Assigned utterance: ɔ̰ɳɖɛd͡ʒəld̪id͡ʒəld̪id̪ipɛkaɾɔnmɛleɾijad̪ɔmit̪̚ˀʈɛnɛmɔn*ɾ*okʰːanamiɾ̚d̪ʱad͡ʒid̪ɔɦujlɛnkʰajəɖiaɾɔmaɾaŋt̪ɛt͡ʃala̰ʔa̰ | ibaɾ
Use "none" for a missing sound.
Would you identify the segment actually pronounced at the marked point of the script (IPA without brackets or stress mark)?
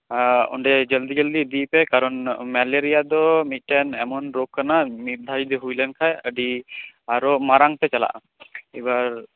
ɾ